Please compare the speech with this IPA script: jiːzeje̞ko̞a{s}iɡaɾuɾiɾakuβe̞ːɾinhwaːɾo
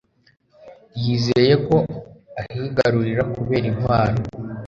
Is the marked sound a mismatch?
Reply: yes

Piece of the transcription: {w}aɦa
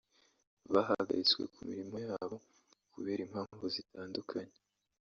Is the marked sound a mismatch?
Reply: yes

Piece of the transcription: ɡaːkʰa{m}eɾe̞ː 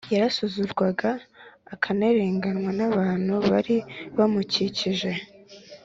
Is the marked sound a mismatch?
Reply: yes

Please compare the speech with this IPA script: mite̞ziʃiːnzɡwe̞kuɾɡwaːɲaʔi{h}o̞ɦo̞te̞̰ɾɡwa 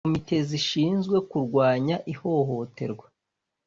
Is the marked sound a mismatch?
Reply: no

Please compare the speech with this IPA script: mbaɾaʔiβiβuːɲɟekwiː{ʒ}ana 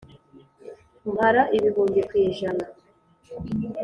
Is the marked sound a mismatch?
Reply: no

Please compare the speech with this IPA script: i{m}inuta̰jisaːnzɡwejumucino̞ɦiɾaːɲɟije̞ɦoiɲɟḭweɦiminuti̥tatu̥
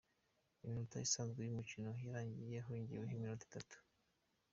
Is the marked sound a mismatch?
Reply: no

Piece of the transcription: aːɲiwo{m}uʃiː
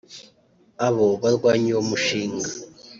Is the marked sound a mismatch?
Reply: no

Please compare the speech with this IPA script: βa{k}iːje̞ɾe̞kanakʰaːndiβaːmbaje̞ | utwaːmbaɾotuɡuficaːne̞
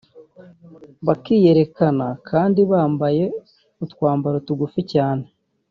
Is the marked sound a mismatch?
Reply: no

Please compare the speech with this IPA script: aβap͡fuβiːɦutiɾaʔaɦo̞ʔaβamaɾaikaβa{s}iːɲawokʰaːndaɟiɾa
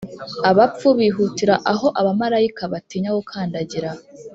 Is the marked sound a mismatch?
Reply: yes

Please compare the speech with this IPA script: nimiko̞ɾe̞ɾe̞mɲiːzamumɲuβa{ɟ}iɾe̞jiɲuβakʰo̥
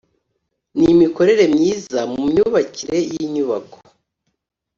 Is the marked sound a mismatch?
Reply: yes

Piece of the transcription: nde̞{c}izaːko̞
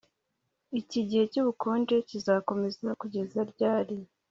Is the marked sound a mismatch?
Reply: no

